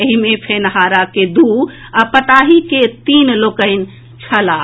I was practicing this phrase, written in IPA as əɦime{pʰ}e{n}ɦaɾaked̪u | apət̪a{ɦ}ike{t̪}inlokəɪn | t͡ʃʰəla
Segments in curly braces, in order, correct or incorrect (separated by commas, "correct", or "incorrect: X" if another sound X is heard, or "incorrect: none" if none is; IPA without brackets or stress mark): correct, correct, correct, correct